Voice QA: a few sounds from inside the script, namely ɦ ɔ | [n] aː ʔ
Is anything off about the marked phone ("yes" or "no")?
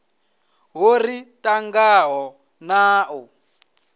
no